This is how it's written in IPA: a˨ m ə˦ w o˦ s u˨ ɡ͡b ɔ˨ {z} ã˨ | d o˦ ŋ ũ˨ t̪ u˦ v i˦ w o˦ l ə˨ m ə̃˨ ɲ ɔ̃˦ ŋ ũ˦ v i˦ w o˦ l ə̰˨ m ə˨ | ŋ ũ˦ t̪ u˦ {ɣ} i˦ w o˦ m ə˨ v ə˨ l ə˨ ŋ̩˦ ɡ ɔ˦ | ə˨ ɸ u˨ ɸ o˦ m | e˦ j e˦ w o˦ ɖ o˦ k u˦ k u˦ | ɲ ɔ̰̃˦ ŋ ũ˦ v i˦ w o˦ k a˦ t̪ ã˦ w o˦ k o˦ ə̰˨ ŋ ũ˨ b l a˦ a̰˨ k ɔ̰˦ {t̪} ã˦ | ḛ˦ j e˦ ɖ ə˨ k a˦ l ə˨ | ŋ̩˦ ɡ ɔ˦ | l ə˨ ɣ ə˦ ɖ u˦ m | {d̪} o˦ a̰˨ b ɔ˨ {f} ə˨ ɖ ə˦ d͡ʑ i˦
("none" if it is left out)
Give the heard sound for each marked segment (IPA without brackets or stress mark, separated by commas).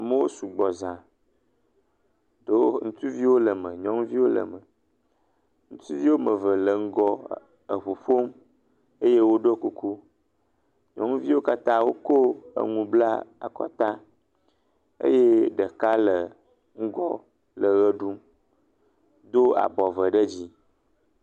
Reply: z, v, t̪, d̪, v